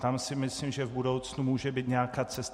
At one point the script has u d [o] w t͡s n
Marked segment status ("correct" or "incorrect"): correct